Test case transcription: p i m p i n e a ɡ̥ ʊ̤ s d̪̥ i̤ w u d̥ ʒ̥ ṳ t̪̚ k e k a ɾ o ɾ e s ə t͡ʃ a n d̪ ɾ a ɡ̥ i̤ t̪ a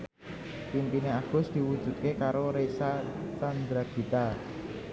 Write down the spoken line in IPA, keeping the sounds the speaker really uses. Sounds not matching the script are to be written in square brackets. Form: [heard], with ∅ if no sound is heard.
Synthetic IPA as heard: p i m p i n e a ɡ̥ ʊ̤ s d̪̥ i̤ w u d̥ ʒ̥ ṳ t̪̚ k e k a ɾ o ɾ e s [a] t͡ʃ a n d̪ ɾ a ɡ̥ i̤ t̪ a